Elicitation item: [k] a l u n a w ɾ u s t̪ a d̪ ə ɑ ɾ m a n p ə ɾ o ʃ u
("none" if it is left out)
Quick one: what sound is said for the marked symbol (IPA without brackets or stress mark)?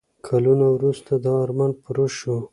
kʰ